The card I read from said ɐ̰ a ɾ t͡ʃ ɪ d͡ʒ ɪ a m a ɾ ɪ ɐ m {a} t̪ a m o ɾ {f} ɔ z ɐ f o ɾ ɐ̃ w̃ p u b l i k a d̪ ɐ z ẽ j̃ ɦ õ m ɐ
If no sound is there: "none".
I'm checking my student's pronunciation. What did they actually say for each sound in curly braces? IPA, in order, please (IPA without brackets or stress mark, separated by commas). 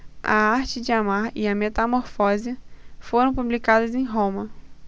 e, f